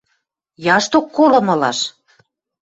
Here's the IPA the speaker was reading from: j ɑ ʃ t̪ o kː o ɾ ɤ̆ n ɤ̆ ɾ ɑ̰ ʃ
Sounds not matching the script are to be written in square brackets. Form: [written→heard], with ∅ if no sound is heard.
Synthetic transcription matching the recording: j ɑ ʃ t̪ o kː o [ɾ→l] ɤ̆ [n→m] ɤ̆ [ɾ→l] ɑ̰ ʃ